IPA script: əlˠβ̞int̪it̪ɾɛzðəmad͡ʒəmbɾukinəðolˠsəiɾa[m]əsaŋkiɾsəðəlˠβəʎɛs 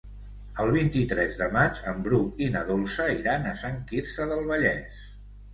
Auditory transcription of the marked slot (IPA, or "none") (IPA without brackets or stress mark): n